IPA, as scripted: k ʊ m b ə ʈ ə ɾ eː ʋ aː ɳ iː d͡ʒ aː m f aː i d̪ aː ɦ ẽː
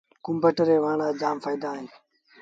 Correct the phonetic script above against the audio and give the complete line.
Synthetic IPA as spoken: k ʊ m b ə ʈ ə ɾ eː ʋ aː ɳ aː d͡ʒ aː m f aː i d̪ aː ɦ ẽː